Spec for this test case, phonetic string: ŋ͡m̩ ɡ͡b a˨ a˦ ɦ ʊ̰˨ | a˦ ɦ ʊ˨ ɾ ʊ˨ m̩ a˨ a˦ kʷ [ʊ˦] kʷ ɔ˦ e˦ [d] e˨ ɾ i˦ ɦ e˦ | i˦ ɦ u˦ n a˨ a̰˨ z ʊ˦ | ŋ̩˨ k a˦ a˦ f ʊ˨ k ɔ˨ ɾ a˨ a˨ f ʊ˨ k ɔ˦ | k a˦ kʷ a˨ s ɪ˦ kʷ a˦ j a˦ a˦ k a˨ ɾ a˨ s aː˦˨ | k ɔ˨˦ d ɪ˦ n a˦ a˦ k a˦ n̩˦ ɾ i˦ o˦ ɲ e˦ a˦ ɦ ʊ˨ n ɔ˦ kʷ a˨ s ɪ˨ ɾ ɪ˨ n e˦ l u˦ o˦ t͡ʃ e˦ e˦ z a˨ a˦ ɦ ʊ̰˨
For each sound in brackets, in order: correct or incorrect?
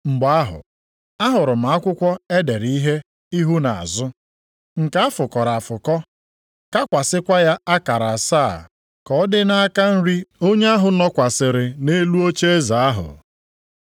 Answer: correct, correct

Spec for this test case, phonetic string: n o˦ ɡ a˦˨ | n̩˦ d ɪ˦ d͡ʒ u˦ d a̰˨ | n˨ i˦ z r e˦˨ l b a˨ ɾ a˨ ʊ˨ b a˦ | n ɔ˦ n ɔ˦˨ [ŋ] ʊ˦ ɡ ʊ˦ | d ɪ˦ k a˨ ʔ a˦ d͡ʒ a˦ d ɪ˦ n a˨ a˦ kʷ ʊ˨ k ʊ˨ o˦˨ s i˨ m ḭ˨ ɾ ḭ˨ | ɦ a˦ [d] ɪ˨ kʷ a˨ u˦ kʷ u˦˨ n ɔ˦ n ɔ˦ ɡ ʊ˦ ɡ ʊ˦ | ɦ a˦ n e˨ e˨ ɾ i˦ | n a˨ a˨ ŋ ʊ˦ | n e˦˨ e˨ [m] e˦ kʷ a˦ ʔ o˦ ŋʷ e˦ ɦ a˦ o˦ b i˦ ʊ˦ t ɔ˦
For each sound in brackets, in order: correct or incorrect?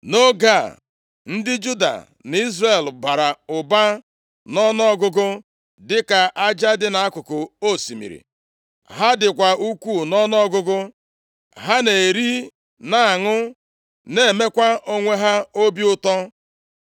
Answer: incorrect: ɡ, correct, correct

